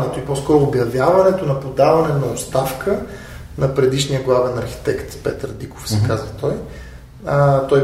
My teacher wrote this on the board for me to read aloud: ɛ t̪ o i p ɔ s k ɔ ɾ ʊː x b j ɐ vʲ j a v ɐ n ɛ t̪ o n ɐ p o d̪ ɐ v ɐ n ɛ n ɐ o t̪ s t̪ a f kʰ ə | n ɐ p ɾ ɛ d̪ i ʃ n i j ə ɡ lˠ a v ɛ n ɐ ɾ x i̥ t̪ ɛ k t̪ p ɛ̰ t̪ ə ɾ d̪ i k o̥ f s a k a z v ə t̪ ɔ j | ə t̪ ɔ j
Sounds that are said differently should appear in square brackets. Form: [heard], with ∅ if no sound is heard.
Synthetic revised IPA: ɛ t̪ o i p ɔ s k ɔ ɾ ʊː [∅] b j ɐ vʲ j a v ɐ n ɛ t̪ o n ɐ p o d̪ [a] v ɐ n ɛ n ɐ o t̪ s t̪ a f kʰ ə | n ɐ p ɾ ɛ d̪ i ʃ n i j ə ɡ lˠ a v ɛ n ɐ ɾ x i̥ t̪ ɛ k t̪ p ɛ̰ t̪ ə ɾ d̪ i k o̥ f s [ɛ] k a z v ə t̪ ɔ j | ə t̪ ɔ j